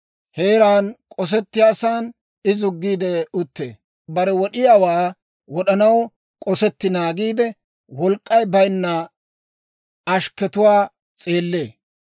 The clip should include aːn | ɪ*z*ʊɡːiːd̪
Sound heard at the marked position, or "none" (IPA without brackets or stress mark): z